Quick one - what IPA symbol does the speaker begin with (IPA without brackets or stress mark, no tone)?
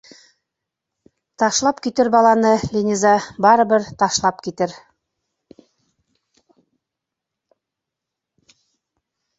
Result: t̪